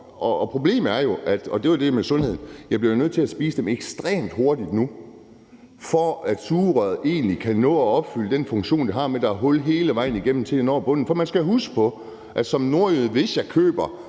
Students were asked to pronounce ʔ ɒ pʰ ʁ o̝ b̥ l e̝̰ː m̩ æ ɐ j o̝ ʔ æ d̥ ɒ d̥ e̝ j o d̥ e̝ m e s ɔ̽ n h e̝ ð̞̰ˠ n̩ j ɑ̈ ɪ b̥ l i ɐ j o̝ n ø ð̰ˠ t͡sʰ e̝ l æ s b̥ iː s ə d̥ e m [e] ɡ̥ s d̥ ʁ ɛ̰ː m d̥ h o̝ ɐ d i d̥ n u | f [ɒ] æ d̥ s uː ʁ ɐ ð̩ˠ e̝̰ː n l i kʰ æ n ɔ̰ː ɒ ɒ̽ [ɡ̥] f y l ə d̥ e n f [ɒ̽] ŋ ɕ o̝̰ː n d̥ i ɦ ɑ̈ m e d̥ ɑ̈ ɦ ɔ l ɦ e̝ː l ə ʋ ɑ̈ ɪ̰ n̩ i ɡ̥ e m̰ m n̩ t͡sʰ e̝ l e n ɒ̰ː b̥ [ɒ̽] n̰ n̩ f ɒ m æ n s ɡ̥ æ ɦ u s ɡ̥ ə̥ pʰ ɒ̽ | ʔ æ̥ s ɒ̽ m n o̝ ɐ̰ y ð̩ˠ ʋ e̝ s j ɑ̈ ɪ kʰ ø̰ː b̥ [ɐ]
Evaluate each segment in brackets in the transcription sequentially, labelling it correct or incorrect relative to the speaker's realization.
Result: correct, correct, incorrect, incorrect, incorrect, correct

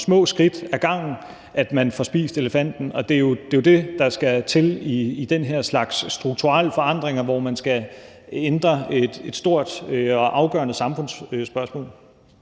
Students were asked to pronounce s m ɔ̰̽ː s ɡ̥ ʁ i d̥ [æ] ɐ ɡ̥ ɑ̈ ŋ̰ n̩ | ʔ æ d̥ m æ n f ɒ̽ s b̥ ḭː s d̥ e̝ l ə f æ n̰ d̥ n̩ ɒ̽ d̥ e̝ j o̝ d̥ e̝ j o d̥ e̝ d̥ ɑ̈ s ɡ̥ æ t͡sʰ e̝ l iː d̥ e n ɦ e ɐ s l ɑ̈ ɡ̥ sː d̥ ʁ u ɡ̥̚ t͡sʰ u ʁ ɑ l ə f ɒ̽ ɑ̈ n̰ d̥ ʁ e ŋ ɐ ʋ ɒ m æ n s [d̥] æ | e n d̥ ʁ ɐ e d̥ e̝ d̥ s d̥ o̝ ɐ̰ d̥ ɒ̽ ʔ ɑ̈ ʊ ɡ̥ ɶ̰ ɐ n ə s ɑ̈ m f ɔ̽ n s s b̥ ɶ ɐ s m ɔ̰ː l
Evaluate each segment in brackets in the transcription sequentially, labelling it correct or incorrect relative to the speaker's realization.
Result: correct, incorrect

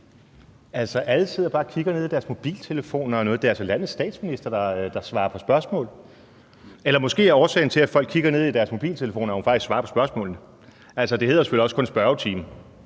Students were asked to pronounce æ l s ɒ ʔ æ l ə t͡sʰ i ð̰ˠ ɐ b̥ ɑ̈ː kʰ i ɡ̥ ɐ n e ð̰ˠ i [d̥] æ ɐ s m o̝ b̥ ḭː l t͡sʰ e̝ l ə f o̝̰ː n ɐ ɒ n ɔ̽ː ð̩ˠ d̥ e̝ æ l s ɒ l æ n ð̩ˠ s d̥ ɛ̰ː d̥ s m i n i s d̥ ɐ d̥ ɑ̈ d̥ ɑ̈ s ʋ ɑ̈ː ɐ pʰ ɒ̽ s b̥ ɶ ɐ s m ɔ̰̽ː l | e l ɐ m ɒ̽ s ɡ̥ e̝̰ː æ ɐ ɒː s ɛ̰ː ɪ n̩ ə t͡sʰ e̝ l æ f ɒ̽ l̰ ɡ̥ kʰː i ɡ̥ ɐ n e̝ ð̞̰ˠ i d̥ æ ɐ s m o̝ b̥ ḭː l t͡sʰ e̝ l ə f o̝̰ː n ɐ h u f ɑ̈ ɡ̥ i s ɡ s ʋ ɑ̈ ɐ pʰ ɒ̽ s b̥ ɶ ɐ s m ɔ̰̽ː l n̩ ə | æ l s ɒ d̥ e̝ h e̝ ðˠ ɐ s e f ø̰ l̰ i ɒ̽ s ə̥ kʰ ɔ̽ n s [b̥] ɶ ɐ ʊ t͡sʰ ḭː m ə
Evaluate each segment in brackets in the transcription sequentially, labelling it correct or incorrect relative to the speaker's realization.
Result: correct, correct

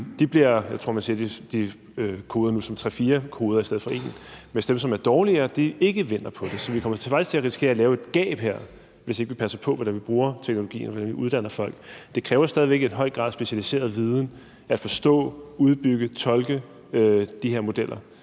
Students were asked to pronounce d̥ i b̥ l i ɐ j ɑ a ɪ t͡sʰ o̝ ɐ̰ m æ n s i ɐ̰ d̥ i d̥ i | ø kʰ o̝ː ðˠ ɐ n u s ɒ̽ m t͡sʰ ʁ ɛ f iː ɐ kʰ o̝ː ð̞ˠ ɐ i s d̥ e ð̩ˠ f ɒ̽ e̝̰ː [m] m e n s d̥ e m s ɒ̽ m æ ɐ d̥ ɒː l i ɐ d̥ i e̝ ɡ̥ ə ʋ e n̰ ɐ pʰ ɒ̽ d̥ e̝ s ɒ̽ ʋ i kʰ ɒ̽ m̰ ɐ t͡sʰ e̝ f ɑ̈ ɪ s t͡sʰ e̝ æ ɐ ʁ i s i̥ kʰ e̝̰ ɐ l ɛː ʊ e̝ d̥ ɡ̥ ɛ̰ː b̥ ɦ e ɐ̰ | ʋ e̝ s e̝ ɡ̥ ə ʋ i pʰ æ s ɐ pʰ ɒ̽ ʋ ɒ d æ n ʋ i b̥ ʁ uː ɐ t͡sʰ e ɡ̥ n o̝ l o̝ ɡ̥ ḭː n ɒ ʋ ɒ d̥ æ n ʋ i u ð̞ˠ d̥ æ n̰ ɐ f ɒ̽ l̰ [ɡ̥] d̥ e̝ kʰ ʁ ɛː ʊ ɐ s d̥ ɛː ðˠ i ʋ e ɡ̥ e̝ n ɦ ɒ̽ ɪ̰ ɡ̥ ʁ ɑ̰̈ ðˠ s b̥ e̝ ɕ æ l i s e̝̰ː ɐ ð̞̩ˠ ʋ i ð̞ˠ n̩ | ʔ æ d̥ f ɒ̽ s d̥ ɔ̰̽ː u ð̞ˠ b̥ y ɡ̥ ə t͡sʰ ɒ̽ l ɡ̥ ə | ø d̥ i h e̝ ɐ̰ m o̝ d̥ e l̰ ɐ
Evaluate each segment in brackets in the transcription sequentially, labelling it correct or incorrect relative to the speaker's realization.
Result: incorrect, correct

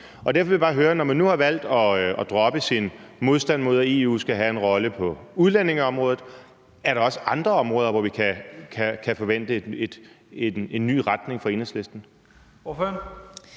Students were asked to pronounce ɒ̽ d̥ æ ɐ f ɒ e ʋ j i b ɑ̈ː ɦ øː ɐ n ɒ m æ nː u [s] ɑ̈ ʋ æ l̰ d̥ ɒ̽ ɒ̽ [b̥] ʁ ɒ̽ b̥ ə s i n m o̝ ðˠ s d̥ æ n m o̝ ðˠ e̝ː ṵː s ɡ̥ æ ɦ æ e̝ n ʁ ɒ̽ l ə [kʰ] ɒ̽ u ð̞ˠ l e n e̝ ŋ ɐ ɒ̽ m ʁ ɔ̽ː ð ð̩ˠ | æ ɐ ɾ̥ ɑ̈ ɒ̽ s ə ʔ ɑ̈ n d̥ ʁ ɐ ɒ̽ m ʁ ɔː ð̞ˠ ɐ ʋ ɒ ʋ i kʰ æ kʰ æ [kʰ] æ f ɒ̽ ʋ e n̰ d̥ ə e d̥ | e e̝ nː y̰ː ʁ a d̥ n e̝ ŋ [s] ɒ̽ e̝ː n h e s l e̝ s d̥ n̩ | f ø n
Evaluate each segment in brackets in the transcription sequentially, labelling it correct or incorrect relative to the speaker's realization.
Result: incorrect, incorrect, incorrect, correct, incorrect

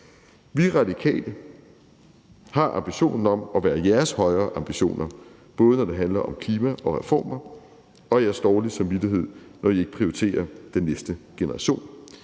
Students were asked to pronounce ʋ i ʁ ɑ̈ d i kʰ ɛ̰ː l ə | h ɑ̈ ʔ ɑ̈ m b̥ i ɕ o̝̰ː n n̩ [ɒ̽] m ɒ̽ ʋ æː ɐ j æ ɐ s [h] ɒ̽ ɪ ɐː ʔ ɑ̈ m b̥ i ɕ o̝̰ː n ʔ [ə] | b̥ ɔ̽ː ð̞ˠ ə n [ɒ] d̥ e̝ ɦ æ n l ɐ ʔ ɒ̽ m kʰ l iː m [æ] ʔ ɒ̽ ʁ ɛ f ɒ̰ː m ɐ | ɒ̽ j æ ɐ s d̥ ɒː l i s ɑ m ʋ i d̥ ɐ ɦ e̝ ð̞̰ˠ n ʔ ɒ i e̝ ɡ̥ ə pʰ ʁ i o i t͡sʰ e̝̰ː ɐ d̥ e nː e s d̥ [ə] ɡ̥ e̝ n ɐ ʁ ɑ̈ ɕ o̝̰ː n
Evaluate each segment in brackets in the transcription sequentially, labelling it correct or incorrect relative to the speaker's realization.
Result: correct, correct, incorrect, correct, correct, correct

